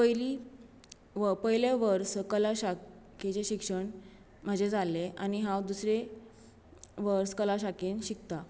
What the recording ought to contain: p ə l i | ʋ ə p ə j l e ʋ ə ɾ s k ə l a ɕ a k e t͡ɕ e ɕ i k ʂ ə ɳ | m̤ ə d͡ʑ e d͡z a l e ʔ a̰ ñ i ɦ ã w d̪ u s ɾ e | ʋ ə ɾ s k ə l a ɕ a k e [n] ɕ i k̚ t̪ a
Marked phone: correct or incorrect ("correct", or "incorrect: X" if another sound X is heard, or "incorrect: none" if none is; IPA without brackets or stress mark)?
correct